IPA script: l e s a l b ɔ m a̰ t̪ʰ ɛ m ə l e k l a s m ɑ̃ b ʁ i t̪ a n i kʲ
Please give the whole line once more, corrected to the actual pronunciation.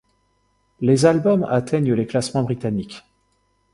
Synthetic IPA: l e z a l b ɔ m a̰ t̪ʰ ɛ ɲ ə l e k l a s m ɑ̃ b ʁ i t̪ a n i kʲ